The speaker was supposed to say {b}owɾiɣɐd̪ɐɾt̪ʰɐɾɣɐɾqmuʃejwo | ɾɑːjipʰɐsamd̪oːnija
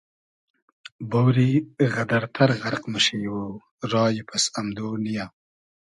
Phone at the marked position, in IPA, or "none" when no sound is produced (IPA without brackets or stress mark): b